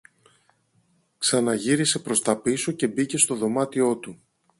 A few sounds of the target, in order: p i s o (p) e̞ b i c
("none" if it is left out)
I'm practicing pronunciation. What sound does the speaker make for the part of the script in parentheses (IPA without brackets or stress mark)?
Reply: c